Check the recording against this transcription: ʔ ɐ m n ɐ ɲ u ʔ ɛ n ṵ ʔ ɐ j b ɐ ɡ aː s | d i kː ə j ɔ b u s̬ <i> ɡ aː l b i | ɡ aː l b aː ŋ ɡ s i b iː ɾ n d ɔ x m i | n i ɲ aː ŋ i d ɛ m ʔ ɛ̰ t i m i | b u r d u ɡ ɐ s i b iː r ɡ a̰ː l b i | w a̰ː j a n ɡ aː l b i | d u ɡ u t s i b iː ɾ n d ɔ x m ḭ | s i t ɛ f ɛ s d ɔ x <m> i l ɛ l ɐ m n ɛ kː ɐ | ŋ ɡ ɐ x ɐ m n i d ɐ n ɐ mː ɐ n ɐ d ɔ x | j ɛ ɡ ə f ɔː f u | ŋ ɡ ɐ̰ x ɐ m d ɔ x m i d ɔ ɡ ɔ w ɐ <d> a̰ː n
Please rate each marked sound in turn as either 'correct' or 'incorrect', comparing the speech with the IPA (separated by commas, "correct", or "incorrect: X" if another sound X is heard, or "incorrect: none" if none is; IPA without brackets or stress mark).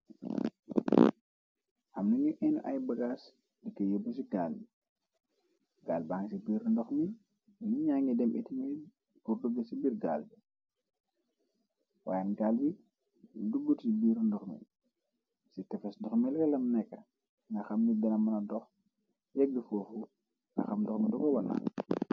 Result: correct, correct, incorrect: n